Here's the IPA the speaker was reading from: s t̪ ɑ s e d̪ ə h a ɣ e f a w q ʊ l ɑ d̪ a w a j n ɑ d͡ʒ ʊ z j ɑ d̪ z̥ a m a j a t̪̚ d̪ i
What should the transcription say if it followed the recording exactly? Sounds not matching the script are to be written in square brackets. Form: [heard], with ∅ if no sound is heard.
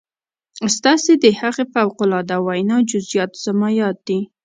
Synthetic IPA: s t̪ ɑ s e d̪ ə h a ɣ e f a w q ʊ l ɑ d̪ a w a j n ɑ d͡ʒ ʊ z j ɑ [t̪] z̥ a m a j [ɑ] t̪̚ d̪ i